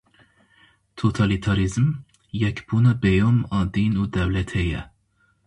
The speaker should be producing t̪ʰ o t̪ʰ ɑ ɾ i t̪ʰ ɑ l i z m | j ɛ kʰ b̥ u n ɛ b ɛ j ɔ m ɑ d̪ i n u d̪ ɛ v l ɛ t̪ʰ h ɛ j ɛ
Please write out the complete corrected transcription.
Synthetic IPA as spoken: t̪ʰ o t̪ʰ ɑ l i t̪ʰ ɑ ɾ i z m | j ɛ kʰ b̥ u n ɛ b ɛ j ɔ m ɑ d̪ i n u d̪ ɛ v l ɛ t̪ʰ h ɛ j ɛ